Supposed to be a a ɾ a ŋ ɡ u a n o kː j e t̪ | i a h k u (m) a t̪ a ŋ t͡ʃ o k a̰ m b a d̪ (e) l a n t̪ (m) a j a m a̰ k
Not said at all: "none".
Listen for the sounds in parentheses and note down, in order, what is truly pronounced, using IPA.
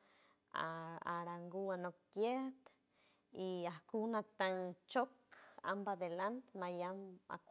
n, e, m

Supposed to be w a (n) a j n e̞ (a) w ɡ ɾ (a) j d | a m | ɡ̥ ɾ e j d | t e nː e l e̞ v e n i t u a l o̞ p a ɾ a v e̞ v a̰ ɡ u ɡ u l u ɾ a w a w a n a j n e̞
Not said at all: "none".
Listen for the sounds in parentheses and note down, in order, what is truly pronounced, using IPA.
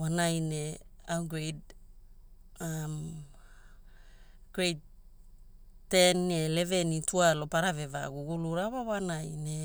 n, a, e

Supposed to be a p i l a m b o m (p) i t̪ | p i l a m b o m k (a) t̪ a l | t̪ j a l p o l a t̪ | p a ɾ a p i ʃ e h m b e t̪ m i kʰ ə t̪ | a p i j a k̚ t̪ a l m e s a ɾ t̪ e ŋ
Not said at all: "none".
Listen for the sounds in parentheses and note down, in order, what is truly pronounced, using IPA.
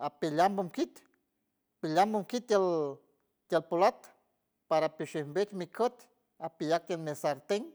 k, i

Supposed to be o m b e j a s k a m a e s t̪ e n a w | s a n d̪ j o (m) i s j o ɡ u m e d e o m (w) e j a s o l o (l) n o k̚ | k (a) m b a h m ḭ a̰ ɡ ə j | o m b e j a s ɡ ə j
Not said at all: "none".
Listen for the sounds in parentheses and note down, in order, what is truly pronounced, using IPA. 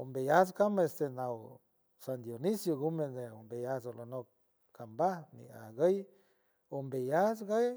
n, b, none, a

